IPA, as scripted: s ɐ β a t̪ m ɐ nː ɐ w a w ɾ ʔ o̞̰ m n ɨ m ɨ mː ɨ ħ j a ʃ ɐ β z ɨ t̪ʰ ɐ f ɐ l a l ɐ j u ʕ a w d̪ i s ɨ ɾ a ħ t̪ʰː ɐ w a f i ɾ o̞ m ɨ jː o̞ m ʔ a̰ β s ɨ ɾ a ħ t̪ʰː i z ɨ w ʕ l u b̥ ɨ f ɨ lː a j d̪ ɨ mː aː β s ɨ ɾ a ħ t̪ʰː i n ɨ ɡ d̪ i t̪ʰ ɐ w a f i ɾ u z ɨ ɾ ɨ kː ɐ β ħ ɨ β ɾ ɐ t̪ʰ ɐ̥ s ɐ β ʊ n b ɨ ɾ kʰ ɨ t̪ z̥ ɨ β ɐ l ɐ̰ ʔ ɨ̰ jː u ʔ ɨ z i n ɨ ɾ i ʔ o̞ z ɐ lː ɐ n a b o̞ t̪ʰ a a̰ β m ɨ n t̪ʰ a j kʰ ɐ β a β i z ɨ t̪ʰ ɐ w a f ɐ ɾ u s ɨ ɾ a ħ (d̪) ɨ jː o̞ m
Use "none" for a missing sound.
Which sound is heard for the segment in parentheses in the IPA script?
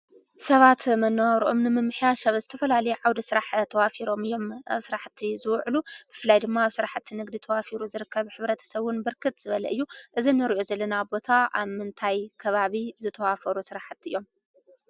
t̪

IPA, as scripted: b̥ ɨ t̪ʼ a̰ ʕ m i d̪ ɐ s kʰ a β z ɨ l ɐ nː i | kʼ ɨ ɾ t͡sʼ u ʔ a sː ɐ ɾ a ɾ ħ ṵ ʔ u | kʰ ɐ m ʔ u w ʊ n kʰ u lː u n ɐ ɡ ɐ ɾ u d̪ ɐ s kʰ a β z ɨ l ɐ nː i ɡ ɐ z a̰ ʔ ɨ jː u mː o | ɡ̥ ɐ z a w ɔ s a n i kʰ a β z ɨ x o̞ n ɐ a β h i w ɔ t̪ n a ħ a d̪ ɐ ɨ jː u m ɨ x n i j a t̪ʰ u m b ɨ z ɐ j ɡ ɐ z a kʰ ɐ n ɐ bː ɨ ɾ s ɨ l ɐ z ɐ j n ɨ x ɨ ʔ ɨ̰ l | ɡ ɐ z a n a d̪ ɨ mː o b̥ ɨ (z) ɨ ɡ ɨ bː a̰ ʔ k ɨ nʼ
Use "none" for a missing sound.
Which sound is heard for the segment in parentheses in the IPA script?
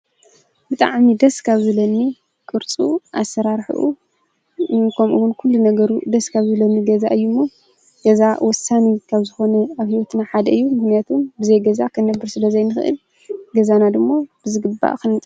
z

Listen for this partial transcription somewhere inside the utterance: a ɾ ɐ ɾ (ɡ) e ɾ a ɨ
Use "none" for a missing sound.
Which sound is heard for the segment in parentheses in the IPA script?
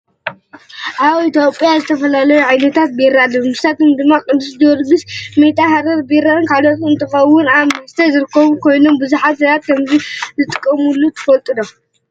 b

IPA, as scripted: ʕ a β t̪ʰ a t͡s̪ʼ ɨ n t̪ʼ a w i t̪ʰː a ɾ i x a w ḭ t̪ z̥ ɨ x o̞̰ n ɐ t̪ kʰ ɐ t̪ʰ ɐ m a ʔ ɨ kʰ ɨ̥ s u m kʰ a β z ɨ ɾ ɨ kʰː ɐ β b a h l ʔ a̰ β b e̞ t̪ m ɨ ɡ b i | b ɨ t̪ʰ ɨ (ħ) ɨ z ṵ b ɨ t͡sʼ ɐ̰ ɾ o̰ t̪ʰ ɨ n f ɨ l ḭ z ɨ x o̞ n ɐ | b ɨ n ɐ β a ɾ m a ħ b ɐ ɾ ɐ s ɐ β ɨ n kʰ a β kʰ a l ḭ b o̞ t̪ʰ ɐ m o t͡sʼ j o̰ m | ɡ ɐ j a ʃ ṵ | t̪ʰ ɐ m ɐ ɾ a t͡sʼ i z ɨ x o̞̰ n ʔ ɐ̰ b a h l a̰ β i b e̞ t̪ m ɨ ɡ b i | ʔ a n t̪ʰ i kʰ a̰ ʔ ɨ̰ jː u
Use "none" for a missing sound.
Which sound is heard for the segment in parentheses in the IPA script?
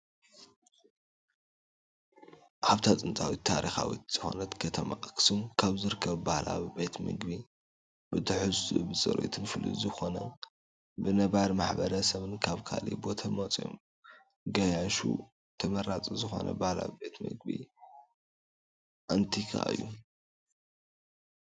ħ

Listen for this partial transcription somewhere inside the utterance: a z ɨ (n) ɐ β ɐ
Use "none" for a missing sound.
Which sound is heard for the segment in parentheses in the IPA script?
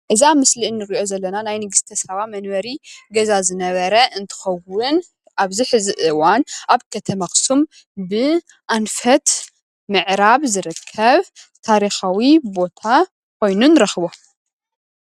n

